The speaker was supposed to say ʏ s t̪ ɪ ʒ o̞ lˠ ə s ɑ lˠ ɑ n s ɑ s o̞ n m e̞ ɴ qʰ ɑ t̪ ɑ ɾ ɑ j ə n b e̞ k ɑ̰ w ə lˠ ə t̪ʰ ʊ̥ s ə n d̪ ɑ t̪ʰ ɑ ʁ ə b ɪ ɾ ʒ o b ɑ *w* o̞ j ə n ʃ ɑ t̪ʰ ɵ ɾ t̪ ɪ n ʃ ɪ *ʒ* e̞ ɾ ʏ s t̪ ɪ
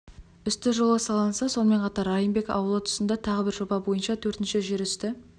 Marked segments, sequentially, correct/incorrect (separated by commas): incorrect, correct